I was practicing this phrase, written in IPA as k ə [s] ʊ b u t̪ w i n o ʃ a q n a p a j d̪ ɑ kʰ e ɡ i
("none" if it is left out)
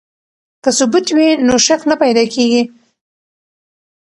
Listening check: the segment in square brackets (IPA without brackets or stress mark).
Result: s